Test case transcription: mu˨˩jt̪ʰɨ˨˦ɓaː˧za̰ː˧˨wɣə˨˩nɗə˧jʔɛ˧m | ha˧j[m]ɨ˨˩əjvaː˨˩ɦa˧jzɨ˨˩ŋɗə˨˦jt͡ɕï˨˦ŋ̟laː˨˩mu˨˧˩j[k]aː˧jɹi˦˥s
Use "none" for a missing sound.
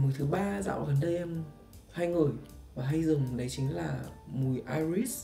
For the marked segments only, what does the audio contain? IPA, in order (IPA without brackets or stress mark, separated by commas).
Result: ŋ, ʔ